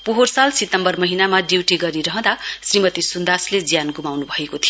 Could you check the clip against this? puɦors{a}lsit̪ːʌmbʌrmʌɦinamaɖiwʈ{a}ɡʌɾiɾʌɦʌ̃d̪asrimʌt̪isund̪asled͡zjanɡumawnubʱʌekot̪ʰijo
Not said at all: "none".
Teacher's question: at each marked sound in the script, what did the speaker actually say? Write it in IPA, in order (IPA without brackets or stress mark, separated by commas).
a, i